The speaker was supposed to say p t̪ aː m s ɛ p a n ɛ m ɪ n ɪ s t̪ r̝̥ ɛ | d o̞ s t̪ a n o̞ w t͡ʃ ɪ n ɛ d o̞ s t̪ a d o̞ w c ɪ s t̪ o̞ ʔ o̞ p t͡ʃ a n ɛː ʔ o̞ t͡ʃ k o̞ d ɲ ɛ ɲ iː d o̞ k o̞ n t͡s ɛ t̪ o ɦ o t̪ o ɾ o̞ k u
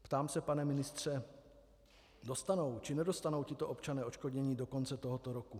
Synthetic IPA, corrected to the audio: p t̪ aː m s ɛ p a n ɛ m ɪ n ɪ s t̪ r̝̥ ɛ | d o̞ s t̪ a n o̞ w t͡ʃ ɪ n ɛ d o̞ s t̪ a n o̞ w c ɪ t̪ o̞ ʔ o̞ p t͡ʃ a n ɛː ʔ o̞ t͡ʃ k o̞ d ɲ ɛ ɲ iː d o̞ k o̞ n t͡s ɛ t̪ o ɦ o t̪ o ɾ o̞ k u